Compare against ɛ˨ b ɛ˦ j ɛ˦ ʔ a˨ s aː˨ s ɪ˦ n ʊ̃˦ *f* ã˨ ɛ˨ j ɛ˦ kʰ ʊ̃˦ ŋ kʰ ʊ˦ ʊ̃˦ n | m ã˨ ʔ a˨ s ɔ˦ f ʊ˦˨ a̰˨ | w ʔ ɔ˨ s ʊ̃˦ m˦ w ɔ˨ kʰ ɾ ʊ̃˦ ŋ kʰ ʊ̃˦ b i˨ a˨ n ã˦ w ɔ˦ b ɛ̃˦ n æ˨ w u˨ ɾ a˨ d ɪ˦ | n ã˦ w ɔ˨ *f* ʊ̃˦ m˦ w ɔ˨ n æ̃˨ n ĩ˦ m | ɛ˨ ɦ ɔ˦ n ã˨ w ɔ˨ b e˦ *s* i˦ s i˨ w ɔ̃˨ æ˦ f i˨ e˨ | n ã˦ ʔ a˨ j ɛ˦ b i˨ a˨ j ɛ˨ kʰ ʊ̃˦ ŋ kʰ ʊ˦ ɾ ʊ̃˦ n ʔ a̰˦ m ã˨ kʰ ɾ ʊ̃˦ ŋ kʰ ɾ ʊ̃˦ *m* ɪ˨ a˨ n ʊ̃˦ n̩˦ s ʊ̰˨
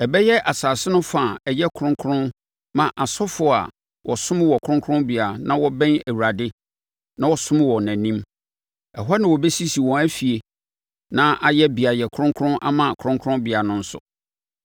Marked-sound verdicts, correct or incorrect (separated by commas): correct, incorrect, correct, incorrect